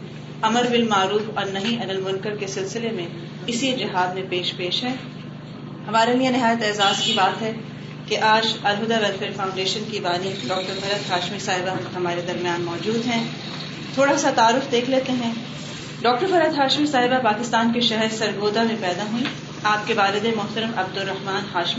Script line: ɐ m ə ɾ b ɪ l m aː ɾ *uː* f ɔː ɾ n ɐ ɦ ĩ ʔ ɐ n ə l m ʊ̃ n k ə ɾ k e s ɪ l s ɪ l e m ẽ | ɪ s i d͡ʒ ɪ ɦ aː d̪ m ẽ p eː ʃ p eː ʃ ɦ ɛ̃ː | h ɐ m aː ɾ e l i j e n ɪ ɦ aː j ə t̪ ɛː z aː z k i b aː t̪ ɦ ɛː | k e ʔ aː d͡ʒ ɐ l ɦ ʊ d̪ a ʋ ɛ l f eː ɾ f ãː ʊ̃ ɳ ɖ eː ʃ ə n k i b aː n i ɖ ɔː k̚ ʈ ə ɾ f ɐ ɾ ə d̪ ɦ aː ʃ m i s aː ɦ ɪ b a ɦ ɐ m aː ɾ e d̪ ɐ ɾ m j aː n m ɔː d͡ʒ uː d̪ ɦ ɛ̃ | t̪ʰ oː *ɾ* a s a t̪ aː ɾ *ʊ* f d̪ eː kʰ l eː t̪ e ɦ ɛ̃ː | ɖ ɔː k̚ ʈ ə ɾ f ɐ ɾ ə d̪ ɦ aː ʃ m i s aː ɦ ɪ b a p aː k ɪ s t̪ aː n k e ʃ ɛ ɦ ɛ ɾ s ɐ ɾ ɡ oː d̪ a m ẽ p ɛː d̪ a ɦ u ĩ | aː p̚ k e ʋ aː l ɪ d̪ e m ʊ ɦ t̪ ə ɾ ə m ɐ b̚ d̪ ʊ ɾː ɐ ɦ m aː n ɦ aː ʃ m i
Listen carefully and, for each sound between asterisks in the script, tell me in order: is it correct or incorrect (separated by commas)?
correct, incorrect, correct